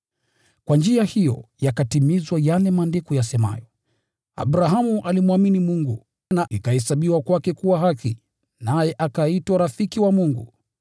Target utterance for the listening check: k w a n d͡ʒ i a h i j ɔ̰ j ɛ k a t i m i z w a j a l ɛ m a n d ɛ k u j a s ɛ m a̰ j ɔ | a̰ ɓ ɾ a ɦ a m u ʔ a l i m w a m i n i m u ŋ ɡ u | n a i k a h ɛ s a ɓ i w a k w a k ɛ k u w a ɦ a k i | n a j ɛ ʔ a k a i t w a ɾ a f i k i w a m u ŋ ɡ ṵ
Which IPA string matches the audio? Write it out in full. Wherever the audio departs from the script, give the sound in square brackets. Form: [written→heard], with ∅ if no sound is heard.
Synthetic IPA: k w a n d͡ʒ i a h i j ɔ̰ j [ɛ→a] k a t i m i z w a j a l ɛ m a n d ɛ k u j a s ɛ m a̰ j ɔ | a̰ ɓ ɾ a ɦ a m u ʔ a l i m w a m i n i m u ŋ ɡ u | n a i k a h ɛ s a ɓ i w a k w a k ɛ k u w a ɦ a k i | n a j ɛ ʔ a k a i t w a ɾ a f i k i w a m u ŋ ɡ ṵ